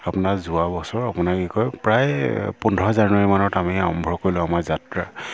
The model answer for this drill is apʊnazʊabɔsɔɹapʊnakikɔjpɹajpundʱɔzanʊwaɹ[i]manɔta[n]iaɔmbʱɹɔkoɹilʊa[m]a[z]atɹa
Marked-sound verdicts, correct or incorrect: correct, incorrect: m, correct, correct

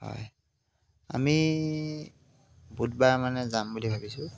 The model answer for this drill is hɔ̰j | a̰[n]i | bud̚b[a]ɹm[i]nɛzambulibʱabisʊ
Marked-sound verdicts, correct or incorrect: incorrect: m, correct, incorrect: a

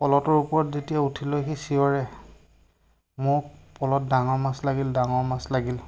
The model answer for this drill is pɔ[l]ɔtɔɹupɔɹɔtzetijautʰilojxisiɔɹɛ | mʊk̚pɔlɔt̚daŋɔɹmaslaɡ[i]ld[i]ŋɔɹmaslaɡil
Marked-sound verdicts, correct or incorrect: correct, correct, incorrect: a

